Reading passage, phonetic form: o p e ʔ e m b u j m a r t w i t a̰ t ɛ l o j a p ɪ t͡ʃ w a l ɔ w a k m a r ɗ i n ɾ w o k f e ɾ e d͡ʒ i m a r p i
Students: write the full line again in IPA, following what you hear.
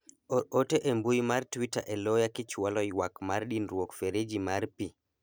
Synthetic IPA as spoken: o t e ʔ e m b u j m a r t w i t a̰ ʔ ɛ l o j a k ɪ t͡ʃ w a l ɔ w a k m a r ɗ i n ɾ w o k f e ɾ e d͡ʒ i m a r p i